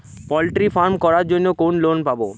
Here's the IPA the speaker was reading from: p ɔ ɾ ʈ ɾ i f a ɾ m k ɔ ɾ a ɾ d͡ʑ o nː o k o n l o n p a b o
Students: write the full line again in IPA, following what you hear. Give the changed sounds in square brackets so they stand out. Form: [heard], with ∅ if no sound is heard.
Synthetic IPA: p ɔ [l] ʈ ɾ i f a ɾ m k ɔ ɾ a ɾ d͡ʑ o nː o k o n l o n p a b o

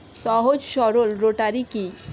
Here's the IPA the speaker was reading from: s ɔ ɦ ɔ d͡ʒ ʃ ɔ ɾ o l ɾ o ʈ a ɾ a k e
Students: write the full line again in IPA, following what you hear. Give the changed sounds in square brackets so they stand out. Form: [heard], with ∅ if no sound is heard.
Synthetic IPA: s ɔ ɦ [o] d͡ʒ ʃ ɔ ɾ o l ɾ o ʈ a ɾ [i] k [i]

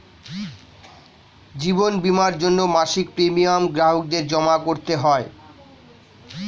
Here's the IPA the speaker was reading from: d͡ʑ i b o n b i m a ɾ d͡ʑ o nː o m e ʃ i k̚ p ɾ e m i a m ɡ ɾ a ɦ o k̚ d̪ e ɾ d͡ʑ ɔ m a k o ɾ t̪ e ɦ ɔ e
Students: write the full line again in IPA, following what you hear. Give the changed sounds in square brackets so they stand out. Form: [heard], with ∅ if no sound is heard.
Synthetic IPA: d͡ʑ i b o n b i m a ɾ d͡ʑ o nː o m [a] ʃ i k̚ p ɾ e m i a m ɡ ɾ a ɦ o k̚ d̪ e ɾ d͡ʑ ɔ m a k o ɾ t̪ e ɦ ɔ e

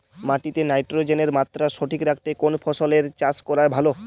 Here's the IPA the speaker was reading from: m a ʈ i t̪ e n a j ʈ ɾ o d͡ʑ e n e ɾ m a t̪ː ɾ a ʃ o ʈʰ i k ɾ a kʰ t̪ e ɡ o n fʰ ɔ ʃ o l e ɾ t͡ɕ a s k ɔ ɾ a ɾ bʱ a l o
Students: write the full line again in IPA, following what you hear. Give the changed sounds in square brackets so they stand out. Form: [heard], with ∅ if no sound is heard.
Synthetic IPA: m a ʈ i t̪ e n a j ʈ ɾ o d͡ʑ e n e ɾ m a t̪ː ɾ a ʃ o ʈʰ i k ɾ a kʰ t̪ e [k] o n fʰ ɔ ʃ o l e ɾ t͡ɕ a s k ɔ ɾ a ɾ bʱ a l o

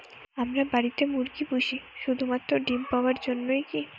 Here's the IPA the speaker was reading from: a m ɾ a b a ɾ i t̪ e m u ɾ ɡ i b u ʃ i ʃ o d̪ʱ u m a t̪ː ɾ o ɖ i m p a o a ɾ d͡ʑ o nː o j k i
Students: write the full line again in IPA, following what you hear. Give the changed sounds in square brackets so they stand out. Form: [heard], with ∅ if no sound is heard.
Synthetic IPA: a m ɾ a b a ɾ i t̪ e m u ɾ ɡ i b u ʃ i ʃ [u] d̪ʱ u m a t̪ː ɾ o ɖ i m p a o a ɾ d͡ʑ o nː o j k i

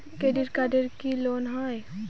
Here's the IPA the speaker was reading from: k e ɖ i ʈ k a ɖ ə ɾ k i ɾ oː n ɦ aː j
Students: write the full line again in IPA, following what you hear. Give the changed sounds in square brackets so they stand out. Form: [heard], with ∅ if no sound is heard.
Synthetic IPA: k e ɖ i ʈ k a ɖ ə ɾ k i [l] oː n ɦ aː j

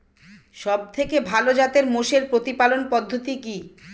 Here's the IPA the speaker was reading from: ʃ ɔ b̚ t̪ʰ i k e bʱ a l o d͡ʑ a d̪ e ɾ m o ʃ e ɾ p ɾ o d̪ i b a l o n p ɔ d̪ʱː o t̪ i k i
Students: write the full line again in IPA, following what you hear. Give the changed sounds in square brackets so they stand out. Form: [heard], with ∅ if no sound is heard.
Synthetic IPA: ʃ ɔ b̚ t̪ʰ [e] k e bʱ a l o d͡ʑ a [t̪] e ɾ m o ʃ e ɾ p ɾ o [t̪] i [p] a l o n p ɔ d̪ʱː o t̪ i k i

